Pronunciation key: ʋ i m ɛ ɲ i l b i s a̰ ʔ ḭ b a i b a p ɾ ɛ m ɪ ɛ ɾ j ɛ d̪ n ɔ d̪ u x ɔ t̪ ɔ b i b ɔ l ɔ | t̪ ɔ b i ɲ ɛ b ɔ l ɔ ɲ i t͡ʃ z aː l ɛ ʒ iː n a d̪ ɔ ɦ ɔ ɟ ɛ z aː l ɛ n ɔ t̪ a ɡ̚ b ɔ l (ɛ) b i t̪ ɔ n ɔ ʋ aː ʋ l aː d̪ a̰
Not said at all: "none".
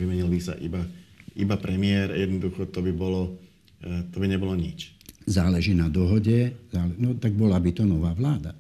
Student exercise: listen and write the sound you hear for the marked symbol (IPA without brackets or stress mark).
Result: a